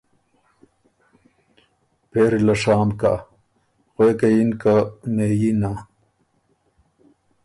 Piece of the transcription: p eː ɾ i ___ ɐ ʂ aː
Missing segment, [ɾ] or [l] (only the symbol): l